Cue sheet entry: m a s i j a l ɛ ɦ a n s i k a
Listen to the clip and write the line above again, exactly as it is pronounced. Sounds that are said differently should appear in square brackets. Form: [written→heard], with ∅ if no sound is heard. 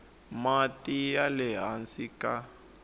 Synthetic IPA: m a [s→t] i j a l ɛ ɦ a n s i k a